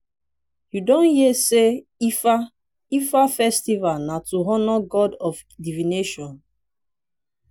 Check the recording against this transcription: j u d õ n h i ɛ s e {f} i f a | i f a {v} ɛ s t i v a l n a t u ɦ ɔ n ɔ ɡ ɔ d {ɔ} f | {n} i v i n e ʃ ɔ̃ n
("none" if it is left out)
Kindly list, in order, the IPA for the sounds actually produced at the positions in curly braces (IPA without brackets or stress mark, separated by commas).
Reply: none, f, ɔ, d